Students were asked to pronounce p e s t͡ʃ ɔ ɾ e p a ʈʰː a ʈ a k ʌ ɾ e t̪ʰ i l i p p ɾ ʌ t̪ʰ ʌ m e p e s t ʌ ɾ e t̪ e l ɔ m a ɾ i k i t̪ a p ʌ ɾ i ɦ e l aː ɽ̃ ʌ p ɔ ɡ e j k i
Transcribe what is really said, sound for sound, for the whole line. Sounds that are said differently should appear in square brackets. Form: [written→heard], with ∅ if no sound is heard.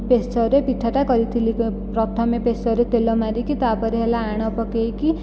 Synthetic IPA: p e s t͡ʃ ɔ ɾ e p [a→i] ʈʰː a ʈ a k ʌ ɾ [e→i] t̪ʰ i l i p p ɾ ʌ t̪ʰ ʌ m e p e s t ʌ ɾ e t̪ e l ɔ m a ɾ i k i t̪ a p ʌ ɾ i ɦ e l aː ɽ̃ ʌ p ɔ [ɡ→k] e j k i